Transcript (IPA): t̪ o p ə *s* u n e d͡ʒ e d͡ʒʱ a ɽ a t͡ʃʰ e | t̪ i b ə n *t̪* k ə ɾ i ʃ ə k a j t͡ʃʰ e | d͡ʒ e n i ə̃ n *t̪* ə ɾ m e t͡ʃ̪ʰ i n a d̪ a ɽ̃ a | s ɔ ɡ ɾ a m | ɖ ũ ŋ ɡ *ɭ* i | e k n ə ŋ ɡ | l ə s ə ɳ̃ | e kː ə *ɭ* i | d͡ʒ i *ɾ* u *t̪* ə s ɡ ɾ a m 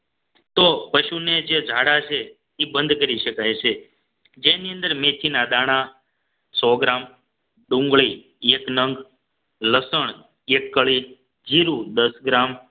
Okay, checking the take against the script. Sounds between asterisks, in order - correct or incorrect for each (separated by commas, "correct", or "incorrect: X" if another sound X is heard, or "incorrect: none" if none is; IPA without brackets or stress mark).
incorrect: ʃ, incorrect: d̪, incorrect: d̪, correct, correct, correct, incorrect: d̪